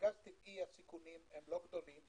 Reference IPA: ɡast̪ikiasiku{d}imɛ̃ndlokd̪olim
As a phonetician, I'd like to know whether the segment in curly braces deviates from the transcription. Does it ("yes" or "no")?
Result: yes